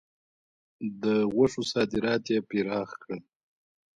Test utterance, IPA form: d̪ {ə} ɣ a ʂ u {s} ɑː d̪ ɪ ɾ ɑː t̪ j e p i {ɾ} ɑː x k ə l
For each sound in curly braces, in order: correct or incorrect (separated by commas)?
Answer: correct, correct, correct